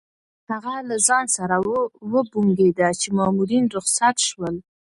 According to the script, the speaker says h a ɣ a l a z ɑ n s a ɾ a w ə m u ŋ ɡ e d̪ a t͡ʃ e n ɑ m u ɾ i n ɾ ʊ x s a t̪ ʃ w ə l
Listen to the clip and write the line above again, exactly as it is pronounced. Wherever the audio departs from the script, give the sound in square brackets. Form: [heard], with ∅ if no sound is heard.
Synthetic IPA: h a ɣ a l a z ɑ n s a ɾ a w ə [b] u ŋ ɡ e d̪ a t͡ʃ e [m] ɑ m u ɾ i n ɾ ʊ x s a t̪ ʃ w ə l